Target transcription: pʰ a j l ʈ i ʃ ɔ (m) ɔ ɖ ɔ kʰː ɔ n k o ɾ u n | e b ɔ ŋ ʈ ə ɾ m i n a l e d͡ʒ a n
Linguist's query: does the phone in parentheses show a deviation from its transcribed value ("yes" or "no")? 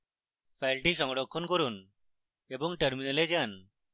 yes